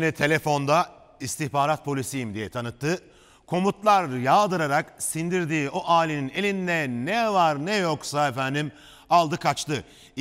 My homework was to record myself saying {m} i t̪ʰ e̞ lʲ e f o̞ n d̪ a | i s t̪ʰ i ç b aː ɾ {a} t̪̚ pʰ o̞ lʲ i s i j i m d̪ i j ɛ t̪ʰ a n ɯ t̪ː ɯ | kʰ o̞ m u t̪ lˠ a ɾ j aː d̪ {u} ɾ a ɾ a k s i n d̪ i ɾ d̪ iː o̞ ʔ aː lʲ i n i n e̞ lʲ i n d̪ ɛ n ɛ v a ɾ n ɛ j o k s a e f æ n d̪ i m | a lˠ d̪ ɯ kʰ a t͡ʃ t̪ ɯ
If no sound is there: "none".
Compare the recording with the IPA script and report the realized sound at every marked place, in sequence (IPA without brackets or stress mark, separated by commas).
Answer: n, a, ɯ